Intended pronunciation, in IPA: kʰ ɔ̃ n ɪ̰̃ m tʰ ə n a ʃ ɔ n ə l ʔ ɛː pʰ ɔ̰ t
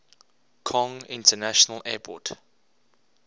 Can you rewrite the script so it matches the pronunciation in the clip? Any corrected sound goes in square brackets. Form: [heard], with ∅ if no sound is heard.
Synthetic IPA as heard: kʰ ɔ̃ [ŋ] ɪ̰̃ [n] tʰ ə n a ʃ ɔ n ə l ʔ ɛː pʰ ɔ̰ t